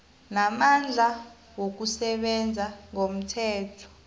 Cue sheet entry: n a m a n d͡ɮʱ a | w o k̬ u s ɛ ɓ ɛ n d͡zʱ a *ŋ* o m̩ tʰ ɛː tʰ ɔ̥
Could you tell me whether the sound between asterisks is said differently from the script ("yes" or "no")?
no